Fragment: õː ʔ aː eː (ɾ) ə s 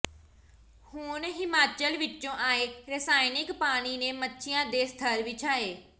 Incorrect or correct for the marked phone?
correct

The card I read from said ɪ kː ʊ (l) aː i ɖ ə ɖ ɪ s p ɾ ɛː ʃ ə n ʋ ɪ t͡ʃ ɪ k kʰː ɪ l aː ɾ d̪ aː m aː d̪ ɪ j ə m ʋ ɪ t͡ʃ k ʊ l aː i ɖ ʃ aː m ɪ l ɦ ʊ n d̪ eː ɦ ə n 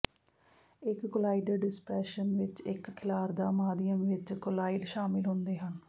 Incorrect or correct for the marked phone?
correct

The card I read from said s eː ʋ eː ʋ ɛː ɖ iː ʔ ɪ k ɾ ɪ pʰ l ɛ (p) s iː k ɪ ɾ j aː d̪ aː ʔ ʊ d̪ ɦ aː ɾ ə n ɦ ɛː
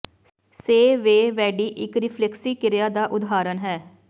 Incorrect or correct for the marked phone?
incorrect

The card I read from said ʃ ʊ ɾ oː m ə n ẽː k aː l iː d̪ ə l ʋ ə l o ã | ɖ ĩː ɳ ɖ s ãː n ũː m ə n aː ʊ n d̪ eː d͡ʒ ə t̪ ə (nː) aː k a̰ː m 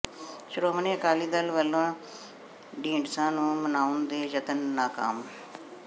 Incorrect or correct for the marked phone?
correct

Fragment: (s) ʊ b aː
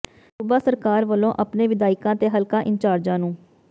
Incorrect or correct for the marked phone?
correct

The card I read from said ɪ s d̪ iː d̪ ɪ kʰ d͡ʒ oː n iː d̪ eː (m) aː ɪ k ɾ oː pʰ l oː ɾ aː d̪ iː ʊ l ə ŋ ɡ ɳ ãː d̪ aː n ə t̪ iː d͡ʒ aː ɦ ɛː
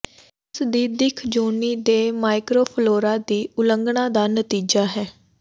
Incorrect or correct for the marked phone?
correct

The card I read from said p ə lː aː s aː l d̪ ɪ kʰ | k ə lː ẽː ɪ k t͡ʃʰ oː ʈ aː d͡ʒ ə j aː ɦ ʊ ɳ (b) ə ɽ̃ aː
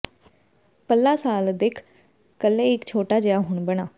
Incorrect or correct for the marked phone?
correct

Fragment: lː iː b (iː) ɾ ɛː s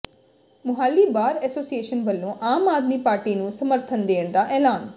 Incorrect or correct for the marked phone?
incorrect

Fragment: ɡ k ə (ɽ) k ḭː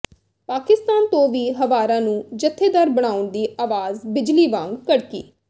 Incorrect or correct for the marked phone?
correct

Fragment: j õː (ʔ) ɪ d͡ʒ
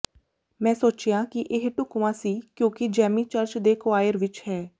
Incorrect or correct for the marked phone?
incorrect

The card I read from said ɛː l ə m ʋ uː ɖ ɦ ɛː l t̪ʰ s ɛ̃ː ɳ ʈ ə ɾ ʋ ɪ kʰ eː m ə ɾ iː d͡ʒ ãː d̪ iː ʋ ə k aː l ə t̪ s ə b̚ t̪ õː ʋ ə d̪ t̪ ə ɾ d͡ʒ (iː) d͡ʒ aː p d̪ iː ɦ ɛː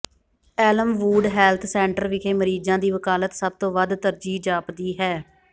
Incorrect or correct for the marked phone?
correct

